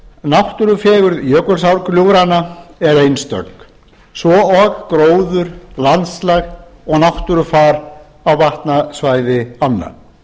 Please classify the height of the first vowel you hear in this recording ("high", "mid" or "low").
low